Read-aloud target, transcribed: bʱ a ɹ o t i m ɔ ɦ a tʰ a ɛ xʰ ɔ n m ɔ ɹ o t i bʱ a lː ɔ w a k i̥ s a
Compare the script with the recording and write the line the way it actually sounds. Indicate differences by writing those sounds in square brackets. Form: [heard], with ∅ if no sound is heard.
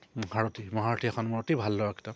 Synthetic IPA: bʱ a ɹ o t i m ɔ ɦ a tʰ [i] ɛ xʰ ɔ n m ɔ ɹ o t i bʱ a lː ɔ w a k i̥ [t] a